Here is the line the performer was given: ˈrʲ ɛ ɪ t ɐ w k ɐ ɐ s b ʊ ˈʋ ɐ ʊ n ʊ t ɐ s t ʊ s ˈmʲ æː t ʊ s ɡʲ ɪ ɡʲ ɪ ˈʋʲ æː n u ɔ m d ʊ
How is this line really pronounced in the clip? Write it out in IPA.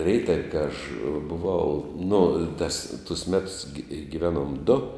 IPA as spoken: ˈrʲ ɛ ɪ t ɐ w k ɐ ɐ ʃ b ʊ ˈʋ ɐ ʊ n ʊ t ɐ s t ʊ s ˈmʲ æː t ʊ s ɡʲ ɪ ɡʲ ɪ ˈʋʲ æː n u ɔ m d ʊ